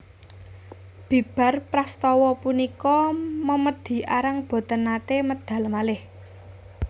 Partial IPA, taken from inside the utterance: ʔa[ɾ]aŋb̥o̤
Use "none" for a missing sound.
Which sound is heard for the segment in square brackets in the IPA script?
ɾ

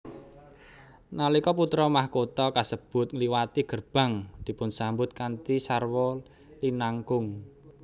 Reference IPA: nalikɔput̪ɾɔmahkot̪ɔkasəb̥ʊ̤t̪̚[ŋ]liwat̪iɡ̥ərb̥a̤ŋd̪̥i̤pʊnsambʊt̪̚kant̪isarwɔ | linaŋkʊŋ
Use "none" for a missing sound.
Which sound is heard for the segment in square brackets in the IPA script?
ŋ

